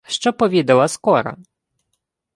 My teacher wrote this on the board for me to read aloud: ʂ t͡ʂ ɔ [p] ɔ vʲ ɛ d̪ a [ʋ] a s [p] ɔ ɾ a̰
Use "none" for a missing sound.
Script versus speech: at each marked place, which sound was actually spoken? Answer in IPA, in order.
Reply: p, w, k

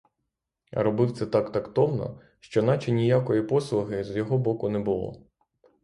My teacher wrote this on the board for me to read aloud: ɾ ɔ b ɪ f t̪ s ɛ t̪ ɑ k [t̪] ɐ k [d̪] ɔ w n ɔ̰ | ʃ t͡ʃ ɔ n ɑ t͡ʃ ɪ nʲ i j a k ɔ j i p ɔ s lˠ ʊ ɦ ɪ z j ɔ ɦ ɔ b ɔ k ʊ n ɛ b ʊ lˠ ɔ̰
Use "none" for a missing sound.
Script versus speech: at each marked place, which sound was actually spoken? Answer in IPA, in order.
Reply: t̪, t̪

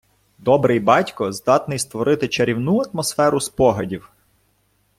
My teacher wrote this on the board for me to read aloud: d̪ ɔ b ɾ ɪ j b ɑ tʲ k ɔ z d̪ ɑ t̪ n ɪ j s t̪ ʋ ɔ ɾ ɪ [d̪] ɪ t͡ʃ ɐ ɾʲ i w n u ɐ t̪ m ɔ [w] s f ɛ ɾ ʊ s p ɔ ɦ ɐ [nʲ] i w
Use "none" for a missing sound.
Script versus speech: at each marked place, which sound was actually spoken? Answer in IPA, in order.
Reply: t̪, none, dʲ

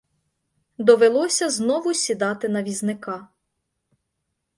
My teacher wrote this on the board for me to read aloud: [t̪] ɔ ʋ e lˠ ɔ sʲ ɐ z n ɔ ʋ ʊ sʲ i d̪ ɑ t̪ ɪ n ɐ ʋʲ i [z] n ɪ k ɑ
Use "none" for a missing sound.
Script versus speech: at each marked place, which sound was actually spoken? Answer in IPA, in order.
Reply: d̪, z

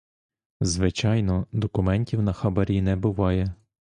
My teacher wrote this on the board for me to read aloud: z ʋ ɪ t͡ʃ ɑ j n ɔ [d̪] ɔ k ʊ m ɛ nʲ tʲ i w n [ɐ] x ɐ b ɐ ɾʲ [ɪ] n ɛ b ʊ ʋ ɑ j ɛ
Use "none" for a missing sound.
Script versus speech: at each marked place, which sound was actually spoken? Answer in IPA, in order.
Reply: d̪, ɐ, i

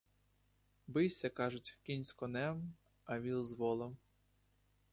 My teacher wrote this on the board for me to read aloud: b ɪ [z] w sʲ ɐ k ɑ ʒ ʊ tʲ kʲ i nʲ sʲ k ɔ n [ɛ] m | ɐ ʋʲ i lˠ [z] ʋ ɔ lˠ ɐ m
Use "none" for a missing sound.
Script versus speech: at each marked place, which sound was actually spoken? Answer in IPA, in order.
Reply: none, ɛ, z

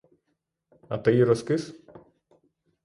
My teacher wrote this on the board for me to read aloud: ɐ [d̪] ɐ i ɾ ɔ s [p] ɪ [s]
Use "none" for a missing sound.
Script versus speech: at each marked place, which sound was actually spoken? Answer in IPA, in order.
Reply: t̪, k, s

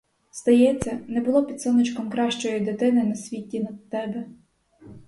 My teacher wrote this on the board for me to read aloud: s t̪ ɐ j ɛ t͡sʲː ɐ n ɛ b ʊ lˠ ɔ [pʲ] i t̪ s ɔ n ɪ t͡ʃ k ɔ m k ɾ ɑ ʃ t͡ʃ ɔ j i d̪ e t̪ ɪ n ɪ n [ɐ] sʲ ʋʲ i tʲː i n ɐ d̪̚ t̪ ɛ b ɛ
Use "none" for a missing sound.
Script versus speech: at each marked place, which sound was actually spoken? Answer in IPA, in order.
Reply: pʲ, ɐ

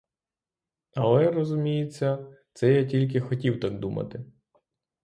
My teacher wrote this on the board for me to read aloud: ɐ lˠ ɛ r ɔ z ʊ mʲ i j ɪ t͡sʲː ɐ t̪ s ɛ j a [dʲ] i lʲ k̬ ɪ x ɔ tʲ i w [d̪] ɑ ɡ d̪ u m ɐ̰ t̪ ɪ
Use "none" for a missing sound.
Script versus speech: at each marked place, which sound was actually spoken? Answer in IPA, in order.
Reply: tʲ, t̪

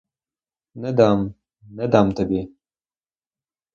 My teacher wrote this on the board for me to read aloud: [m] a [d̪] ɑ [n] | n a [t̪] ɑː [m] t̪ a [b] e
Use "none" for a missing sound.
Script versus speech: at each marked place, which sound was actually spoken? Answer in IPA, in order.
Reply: n, d̪, m, d̪, m, b

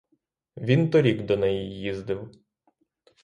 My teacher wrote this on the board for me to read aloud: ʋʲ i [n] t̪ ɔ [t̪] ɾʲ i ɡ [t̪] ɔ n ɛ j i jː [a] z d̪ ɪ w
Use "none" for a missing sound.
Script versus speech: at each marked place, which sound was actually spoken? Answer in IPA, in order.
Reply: n, none, d̪, i

